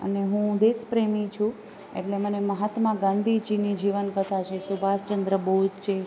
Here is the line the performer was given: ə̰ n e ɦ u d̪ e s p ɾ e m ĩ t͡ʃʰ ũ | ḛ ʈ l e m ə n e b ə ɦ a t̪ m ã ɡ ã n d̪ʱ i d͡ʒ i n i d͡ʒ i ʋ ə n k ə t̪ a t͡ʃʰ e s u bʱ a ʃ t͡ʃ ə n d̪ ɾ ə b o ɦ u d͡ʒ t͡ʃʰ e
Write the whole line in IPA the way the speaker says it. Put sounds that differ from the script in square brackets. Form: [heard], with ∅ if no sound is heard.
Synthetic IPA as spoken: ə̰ n e ɦ [ũ] d̪ e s p ɾ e m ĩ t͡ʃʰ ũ | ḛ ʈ l e m ə n e [m] ə ɦ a t̪ m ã ɡ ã n d̪ʱ i d͡ʒ i n i d͡ʒ i ʋ ə n k ə [t̪ʰ] a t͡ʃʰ e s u bʱ a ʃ t͡ʃ ə n d̪ ɾ ə b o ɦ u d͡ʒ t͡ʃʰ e